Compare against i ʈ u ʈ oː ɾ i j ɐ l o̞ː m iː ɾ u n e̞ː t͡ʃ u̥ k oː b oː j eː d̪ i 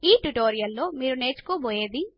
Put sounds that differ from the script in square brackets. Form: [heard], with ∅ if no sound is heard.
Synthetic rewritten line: [iː] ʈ u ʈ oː ɾ i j ɐ [lː] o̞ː m iː ɾ u n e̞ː t͡ʃ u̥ k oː b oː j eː d̪ i